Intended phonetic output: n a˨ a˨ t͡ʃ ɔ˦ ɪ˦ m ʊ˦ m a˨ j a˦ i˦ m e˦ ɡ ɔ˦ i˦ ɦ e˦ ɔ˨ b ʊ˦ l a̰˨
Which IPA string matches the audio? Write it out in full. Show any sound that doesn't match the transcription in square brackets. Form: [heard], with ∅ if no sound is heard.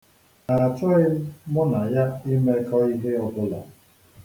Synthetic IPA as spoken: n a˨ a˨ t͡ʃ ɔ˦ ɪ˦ m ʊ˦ [n] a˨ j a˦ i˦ m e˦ [k] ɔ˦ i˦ ɦ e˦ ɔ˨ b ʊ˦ l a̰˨

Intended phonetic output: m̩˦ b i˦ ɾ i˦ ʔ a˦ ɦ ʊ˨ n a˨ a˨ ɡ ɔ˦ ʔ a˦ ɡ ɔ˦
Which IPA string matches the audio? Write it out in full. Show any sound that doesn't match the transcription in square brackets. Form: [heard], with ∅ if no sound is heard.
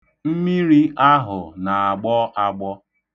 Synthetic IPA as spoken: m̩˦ [m] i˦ ɾ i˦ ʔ a˦ ɦ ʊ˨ n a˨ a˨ [ɡ͡b] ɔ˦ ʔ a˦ [ɡ͡b] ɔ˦

